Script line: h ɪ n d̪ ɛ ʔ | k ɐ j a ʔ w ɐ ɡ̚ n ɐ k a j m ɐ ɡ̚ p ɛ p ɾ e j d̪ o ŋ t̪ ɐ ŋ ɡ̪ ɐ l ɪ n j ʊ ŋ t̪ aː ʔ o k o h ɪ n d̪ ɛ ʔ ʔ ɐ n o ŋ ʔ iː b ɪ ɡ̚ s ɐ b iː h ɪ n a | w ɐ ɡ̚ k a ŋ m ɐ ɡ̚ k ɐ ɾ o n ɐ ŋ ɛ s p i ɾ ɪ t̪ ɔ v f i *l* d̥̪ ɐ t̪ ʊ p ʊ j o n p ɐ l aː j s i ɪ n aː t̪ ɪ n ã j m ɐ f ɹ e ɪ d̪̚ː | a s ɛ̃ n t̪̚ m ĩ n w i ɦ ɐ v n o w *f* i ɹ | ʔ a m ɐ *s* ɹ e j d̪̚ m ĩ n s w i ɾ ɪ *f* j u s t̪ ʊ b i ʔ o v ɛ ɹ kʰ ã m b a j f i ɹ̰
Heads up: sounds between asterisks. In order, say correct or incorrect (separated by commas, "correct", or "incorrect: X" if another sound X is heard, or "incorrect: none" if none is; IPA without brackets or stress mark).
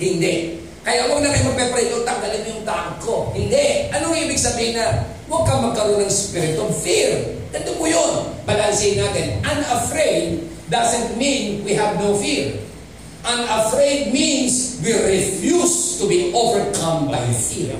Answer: incorrect: ɹ, correct, incorrect: f, correct